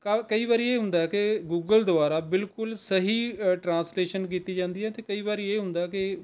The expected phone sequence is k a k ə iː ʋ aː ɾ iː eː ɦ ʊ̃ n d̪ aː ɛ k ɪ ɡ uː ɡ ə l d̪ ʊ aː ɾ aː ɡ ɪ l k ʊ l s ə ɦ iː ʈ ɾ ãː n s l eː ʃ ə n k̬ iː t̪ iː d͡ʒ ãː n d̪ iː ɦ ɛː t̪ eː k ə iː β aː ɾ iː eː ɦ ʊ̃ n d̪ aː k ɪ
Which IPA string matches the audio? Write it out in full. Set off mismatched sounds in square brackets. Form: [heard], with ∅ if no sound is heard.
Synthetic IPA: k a k ə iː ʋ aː ɾ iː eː ɦ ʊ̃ n d̪ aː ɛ k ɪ ɡ uː ɡ ə l d̪ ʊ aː ɾ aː [b] ɪ l k ʊ l s ə ɦ iː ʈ ɾ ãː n s l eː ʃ ə n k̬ iː t̪ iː d͡ʒ ãː n d̪ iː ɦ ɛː t̪ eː k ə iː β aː ɾ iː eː ɦ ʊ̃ n d̪ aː k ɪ